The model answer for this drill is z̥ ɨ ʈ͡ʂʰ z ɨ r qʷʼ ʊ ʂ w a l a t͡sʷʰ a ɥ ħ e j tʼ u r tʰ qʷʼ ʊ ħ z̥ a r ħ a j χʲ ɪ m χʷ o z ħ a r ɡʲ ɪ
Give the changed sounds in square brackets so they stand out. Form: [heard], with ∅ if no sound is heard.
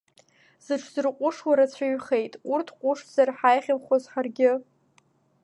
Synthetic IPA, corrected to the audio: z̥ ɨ ʈ͡ʂʰ z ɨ r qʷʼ ʊ ʂ w a [ɾ] a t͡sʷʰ a ɥ [χ] e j tʼ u r tʰ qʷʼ ʊ [ʂ] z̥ a r ħ a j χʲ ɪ m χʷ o z ħ a r ɡʲ ɪ

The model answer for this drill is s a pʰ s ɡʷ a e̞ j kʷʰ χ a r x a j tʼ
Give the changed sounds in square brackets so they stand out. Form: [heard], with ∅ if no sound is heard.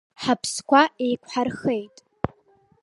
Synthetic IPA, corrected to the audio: [ħ] a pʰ s [kʷ] a e̞ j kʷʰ [ħ] a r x [e] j tʼ

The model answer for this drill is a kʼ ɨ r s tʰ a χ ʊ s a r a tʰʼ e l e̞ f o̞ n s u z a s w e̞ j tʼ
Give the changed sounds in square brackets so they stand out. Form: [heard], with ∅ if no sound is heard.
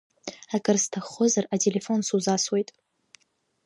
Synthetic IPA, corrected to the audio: a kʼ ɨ r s tʰ a χ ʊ [z] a r a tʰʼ e l e̞ f o̞ n s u z a s w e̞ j tʼ

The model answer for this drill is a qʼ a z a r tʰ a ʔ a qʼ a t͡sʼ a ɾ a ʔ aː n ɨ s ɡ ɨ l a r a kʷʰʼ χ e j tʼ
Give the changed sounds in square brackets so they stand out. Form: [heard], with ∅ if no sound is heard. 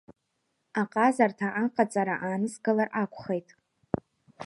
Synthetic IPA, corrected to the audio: a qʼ a z a r tʰ a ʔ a qʼ a t͡sʼ a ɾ a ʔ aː n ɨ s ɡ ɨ l a r a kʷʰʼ χ e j tʼ

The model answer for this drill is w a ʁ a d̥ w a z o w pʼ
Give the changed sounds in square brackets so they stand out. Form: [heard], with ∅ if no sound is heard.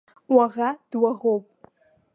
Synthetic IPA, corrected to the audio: w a ʁ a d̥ w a [ʁ] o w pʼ

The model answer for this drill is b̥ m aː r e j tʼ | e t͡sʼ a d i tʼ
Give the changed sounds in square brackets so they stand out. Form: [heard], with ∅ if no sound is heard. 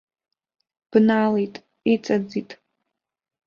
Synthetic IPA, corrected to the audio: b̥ [n] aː [l] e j tʼ | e t͡sʼ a [d͡z] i tʼ

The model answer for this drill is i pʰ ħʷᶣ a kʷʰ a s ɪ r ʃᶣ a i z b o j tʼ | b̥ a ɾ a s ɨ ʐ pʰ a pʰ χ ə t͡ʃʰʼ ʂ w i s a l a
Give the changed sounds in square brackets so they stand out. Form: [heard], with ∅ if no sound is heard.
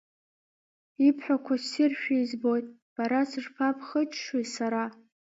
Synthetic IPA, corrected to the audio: i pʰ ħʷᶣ a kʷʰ a s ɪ r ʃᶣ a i z b o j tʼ | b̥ a ɾ a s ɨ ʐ pʰ a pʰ χ ə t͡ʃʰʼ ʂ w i s a [ɾ] a

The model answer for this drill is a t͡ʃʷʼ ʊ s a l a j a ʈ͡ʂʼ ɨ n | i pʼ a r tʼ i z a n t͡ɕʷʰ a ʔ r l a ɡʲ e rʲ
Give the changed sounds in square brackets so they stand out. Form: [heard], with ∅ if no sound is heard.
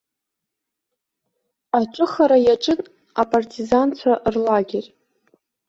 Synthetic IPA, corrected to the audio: a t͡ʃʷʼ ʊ [χ] a [ɾ] a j a ʈ͡ʂʼ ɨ n | [a] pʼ a r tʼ i z a n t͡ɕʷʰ a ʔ r l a ɡʲ e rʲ

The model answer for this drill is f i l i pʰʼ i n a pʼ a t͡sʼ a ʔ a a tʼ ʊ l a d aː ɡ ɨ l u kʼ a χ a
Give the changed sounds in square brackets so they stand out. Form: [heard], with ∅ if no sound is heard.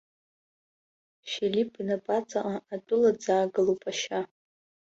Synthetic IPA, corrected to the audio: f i l i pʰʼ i n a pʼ a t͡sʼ a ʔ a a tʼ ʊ l a [d͡z] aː ɡ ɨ l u [pʼ] a [ʃ] a

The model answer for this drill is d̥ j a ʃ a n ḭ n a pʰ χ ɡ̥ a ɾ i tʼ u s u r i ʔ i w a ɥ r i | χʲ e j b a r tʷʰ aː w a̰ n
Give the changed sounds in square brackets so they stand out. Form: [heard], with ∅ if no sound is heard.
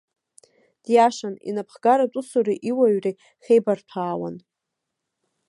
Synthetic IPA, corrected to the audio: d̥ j a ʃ a n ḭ n a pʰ χ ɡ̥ a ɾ [a] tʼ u s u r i ʔ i w a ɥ r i | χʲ e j b a r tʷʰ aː w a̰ n

